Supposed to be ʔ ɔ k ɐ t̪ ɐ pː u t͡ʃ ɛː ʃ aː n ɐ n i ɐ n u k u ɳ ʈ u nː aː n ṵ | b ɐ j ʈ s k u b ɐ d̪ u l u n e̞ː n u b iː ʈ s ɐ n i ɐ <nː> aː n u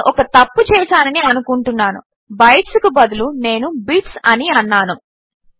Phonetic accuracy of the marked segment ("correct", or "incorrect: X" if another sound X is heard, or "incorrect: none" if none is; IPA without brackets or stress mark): correct